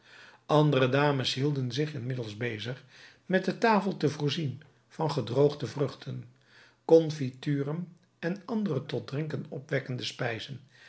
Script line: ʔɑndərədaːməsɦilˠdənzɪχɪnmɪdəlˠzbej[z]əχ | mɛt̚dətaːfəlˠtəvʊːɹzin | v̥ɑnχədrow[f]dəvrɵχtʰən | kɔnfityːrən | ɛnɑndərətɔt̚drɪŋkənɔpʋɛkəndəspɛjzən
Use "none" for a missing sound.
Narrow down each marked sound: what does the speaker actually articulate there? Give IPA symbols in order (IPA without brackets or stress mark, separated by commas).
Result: z, χ